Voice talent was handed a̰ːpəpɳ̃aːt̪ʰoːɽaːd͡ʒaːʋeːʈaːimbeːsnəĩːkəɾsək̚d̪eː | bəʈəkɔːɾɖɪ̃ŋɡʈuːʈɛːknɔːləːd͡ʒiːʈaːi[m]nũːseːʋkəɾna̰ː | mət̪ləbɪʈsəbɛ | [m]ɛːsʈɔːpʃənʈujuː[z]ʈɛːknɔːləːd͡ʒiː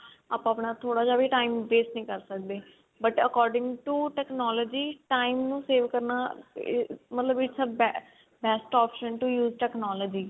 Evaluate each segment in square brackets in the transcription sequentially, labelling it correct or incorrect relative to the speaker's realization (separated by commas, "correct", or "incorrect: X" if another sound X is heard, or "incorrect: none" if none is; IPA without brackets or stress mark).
correct, incorrect: b, correct